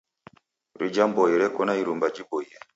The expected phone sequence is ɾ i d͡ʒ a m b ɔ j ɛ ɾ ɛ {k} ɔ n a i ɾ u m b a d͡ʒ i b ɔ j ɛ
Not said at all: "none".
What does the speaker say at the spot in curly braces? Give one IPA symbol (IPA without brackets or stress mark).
k